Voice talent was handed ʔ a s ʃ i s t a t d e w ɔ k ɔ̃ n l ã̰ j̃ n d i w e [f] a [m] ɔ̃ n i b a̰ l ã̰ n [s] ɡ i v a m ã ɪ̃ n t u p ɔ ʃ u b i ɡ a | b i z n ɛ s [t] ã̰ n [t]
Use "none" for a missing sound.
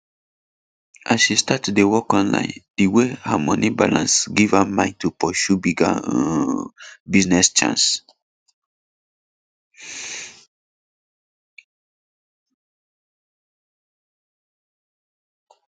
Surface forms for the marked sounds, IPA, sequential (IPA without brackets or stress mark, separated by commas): h, m, s, t͡ʃ, s